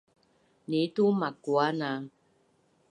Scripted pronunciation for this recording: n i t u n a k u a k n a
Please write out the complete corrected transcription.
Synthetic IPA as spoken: n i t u m a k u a n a